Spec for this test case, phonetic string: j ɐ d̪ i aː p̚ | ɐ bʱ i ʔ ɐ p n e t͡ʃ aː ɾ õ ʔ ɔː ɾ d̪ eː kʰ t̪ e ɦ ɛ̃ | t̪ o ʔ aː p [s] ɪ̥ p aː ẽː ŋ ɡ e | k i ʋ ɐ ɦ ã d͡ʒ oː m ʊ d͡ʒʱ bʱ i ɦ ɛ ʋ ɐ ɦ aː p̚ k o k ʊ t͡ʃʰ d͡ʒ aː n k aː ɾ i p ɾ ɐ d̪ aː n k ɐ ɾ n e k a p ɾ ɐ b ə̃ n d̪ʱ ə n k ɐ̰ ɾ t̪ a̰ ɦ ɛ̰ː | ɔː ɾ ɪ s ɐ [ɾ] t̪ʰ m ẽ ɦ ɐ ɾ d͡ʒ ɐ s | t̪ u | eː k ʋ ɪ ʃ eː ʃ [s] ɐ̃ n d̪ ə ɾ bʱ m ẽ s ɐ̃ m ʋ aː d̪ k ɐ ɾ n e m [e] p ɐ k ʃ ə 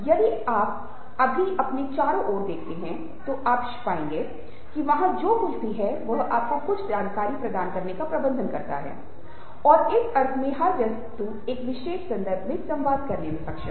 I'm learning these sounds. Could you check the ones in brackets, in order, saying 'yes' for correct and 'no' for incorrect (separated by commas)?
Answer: no, yes, yes, no